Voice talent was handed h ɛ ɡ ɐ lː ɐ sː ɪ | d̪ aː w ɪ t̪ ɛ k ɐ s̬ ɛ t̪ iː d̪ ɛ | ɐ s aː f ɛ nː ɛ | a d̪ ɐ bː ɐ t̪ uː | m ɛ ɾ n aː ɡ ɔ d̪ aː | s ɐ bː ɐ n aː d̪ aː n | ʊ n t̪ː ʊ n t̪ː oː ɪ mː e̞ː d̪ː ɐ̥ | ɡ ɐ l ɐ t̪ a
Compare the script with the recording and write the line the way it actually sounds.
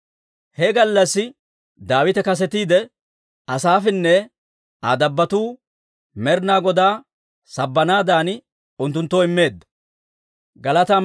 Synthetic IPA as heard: h ɛ ɡ ɐ lː ɐ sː ɪ | d̪ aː w ɪ t̪ ɛ k ɐ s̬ ɛ t̪ iː d̪ ɛ | ɐ s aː f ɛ nː ɛ | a d̪ ɐ bː ɐ t̪ uː | m ɛ ɾ n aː ɡ ɔ d̪ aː | s ɐ bː ɐ n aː d̪ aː n | ʊ n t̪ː ʊ n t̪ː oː ɪ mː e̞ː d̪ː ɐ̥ | ɡ ɐ l ɐ t̪ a